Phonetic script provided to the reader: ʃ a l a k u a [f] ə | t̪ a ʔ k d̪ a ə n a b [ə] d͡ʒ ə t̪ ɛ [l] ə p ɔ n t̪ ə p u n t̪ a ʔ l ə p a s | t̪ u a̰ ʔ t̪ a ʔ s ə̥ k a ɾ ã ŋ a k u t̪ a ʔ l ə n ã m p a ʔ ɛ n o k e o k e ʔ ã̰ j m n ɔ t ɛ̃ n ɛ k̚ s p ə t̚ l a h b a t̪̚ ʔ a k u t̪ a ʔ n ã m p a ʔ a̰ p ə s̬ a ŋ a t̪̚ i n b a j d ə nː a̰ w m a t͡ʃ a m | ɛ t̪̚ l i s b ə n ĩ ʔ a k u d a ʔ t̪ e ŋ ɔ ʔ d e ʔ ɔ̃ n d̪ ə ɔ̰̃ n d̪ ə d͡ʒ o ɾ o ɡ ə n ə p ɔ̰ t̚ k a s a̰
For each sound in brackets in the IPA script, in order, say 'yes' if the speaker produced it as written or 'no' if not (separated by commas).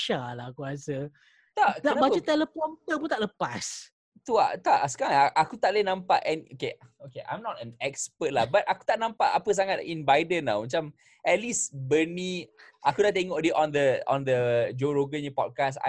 no, no, yes